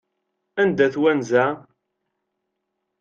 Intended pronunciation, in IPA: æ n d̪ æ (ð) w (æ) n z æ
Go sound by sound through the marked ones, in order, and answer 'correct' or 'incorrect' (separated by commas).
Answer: incorrect, correct